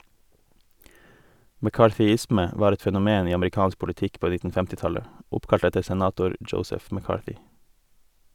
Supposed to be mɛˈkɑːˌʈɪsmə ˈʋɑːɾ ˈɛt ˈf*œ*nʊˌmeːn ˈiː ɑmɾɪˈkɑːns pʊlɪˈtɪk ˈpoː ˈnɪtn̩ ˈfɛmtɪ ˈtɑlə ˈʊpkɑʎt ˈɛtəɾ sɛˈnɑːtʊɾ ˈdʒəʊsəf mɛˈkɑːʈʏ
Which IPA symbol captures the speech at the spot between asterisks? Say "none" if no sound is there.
ɛ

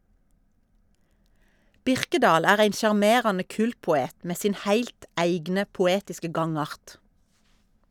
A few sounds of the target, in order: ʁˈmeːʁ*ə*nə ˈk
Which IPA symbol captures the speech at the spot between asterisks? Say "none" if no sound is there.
ɑ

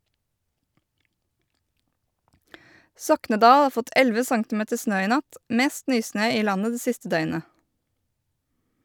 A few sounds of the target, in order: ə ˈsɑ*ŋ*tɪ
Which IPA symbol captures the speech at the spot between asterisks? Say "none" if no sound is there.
ŋ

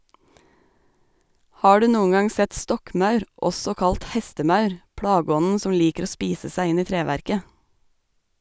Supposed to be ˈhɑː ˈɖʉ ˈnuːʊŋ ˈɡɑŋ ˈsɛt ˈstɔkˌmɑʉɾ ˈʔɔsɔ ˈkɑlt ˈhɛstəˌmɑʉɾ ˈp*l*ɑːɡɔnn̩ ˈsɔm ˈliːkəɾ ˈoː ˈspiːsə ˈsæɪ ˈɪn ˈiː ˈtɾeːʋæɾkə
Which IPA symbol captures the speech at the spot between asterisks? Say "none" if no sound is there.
ɽ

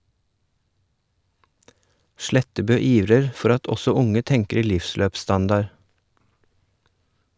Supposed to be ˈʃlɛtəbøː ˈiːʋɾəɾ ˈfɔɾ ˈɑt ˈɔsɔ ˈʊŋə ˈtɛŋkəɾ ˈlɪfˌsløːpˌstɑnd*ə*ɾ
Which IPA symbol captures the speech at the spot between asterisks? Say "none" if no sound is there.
ɑ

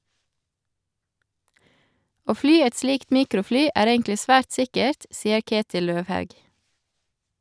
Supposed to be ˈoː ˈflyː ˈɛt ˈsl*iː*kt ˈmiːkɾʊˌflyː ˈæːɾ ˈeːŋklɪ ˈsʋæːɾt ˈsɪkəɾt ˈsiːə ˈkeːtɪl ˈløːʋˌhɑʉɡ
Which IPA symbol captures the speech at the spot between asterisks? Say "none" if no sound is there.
iː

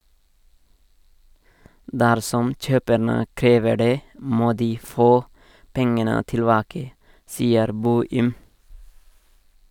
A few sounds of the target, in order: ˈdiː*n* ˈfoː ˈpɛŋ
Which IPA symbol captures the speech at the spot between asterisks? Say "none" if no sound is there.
none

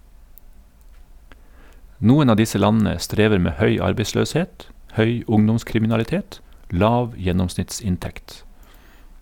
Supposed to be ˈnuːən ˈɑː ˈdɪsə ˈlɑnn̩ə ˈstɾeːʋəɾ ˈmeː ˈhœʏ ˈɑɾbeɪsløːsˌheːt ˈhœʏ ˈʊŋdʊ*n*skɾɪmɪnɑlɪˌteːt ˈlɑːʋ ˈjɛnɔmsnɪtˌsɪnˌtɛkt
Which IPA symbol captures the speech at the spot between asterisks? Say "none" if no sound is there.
m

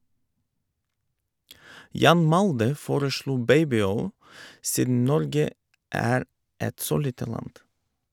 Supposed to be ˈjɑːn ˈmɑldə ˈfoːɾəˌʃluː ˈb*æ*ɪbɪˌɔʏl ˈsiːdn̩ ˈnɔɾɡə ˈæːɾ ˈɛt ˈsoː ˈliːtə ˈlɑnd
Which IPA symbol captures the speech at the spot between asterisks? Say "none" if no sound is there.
e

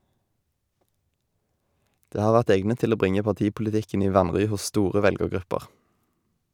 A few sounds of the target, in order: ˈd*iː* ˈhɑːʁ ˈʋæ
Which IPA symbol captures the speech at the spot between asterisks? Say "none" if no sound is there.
eː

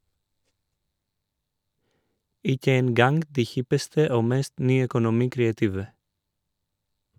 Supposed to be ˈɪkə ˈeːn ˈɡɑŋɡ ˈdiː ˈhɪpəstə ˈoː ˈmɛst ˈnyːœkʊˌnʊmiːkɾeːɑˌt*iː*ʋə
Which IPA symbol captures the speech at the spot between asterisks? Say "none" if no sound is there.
iː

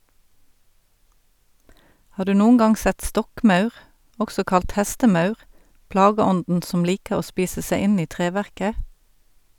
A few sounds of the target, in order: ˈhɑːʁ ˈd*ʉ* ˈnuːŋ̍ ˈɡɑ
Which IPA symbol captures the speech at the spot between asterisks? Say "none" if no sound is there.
ʉː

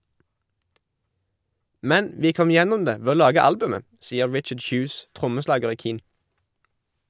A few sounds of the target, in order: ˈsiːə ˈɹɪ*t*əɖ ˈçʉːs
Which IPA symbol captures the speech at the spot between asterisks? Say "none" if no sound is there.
t͡ʃ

